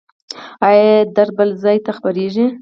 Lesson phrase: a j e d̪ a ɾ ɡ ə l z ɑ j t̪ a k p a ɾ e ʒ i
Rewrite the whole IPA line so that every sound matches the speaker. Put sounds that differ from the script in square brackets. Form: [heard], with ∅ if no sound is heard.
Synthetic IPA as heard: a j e d̪ a ɾ [b] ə l z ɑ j t̪ a [x] p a ɾ e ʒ i